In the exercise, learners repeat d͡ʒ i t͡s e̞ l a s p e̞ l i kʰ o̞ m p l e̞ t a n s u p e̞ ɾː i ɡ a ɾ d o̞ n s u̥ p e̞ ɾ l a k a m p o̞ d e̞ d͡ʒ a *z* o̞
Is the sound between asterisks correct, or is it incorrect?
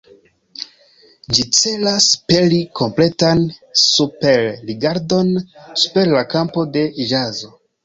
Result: correct